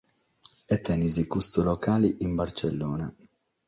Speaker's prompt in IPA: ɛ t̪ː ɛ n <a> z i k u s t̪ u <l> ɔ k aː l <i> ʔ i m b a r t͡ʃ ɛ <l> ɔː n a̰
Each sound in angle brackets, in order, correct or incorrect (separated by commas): incorrect, correct, correct, incorrect